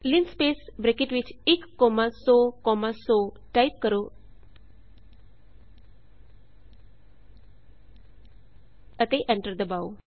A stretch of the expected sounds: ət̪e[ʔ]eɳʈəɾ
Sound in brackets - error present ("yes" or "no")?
no